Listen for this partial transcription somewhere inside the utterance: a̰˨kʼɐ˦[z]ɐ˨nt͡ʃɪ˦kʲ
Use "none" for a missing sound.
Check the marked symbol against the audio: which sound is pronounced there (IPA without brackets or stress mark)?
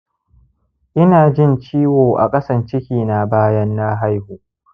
s